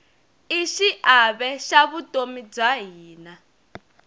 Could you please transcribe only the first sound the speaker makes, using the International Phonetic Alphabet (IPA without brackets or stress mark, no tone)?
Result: i